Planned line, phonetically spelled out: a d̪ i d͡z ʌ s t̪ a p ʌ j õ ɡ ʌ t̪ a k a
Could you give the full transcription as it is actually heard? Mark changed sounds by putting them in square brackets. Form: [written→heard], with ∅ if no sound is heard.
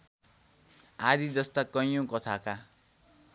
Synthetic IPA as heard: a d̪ i d͡z ʌ s t̪ a [p→k] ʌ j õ [ɡ→k] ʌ [t̪→t̪ʰ] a k a